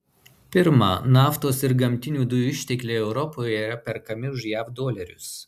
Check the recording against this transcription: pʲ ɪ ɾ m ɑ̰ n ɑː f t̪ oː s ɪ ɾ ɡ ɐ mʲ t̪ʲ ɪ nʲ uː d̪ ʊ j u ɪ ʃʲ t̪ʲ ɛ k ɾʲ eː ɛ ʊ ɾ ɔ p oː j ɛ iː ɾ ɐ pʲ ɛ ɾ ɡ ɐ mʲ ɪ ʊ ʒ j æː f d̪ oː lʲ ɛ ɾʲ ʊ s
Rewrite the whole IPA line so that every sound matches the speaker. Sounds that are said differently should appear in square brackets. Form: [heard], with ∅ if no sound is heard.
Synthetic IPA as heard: pʲ ɪ ɾ m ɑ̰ n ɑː f t̪ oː s ɪ ɾ ɡ ɐ mʲ t̪ʲ ɪ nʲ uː d̪ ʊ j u ɪ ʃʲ t̪ʲ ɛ k [lʲ] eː ɛ ʊ ɾ ɔ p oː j ɛ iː ɾ ɐ pʲ ɛ ɾ [k] ɐ mʲ ɪ ʊ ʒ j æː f d̪ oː lʲ ɛ ɾʲ ʊ s